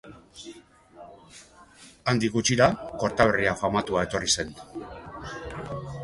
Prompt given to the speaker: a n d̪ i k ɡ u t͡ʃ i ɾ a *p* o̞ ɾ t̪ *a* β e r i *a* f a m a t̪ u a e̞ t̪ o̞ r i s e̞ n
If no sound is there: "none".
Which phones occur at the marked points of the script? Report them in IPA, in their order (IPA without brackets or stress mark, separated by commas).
k, a, a